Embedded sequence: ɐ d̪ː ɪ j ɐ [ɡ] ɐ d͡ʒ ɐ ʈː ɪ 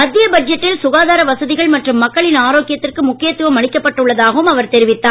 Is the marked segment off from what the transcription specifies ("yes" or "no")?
yes